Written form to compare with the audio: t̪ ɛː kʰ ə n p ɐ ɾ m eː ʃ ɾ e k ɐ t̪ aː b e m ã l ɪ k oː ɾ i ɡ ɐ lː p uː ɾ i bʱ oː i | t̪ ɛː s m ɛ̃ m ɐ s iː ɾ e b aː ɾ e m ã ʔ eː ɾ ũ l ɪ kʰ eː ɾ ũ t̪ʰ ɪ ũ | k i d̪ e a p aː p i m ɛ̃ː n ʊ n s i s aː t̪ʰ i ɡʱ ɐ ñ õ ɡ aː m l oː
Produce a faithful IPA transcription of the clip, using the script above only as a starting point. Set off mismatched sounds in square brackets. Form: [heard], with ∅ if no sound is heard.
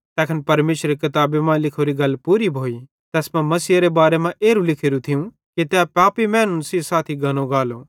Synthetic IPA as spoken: t̪ ɛː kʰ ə n p ɐ ɾ m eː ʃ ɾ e k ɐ t̪ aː b e m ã l ɪ [kʰ] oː ɾ i ɡ ɐ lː p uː ɾ i bʱ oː i | t̪ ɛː s m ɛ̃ m ɐ s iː ɾ e b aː ɾ e m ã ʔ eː ɾ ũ l ɪ kʰ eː ɾ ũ t̪ʰ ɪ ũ | k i [t̪] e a p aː p i m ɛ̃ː n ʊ n s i s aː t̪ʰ i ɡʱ ɐ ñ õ ɡ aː [∅] l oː